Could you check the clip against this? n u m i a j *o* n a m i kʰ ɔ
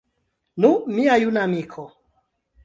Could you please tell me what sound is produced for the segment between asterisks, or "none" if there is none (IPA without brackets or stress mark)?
u